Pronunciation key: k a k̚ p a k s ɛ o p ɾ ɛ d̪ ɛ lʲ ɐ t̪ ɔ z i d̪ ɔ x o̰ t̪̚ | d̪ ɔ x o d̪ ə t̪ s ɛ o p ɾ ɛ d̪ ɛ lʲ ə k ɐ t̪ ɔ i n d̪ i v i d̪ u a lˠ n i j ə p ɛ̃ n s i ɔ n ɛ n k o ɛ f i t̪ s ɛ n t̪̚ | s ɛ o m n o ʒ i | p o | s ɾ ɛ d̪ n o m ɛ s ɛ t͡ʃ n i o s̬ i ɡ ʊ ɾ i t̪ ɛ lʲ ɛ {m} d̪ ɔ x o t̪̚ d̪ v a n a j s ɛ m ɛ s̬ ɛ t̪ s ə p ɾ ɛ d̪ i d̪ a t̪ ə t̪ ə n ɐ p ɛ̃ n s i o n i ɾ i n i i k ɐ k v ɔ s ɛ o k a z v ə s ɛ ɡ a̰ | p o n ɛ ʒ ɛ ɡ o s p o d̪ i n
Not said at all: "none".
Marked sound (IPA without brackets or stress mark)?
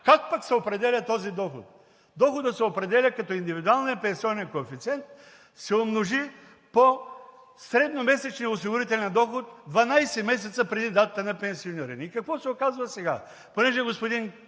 n